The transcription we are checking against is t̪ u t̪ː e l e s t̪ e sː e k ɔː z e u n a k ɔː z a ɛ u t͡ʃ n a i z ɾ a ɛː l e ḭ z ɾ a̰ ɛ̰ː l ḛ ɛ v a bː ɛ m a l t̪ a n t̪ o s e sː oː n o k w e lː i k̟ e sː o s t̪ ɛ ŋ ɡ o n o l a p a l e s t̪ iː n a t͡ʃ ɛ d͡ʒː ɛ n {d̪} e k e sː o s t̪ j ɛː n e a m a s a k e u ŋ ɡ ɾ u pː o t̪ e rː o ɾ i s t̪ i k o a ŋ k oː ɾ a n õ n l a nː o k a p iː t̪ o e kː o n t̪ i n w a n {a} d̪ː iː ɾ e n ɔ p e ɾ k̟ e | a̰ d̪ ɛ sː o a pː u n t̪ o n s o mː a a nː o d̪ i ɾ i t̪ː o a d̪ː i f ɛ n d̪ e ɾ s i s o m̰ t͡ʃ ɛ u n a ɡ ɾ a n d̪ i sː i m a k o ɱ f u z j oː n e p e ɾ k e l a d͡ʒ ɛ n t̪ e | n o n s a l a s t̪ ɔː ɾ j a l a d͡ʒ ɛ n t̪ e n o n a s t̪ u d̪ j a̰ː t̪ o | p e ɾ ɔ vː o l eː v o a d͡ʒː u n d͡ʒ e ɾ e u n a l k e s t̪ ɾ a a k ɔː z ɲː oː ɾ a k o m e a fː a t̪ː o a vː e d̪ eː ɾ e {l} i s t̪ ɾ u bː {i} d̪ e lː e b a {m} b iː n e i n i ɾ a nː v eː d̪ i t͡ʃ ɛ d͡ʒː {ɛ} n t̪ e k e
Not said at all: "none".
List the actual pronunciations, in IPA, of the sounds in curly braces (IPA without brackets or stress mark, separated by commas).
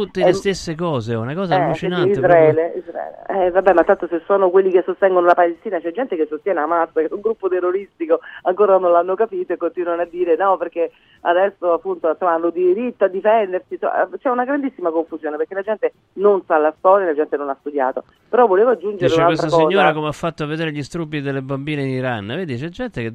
t̪, a, ʎ, i, m, ɛ